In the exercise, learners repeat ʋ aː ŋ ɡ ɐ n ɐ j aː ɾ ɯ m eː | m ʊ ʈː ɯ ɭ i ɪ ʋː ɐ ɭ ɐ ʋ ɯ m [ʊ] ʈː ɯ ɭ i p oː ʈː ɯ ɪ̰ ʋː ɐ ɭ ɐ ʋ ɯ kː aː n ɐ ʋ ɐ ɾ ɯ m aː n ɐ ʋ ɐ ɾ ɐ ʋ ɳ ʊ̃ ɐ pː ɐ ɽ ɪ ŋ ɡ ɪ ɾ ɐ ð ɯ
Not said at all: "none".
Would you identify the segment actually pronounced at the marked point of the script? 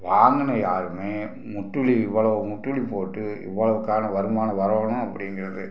ʊ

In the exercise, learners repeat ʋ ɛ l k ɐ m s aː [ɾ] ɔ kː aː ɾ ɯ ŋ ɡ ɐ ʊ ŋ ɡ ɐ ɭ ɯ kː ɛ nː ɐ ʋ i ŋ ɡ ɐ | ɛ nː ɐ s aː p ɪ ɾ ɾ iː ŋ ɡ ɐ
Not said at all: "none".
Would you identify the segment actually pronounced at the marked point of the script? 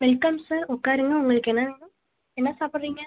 ɾ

